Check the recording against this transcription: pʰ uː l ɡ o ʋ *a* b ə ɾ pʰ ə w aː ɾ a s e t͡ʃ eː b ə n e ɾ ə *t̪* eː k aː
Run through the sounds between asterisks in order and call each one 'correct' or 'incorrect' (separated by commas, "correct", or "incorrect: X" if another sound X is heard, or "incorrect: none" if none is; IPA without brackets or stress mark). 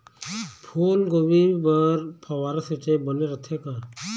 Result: incorrect: i, incorrect: t̪ʰ